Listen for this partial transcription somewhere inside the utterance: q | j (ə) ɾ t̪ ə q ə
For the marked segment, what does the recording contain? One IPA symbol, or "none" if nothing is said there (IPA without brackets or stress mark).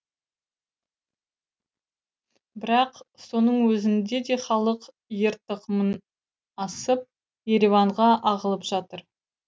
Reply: ə